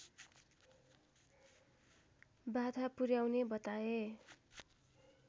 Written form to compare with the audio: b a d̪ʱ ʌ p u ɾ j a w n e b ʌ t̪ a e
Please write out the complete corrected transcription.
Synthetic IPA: b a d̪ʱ a p u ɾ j a w n e b ʌ t̪ a e